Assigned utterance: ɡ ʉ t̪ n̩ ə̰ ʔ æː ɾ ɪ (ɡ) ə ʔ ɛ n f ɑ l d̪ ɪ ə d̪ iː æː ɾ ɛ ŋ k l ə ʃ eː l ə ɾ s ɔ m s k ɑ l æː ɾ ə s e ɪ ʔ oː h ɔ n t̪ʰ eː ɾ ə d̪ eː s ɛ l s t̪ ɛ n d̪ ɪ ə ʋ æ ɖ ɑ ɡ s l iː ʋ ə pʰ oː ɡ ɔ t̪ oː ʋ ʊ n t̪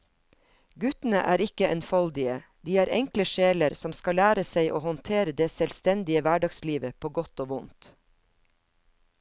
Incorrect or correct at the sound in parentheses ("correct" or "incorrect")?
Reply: incorrect